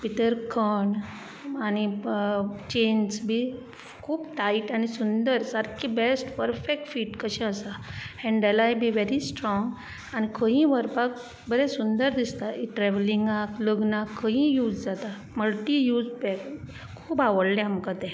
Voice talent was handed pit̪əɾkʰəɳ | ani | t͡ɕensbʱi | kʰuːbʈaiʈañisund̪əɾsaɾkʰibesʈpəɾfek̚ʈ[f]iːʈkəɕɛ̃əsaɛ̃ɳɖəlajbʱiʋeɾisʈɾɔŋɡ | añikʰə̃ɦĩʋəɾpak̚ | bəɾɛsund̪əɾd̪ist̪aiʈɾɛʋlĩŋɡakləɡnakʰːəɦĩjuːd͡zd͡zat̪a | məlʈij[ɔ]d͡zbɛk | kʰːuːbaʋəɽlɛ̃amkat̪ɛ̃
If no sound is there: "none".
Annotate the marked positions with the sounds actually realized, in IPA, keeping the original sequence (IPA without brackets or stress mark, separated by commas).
f, u